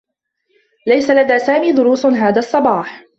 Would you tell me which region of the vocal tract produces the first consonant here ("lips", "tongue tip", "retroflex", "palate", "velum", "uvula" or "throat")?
tongue tip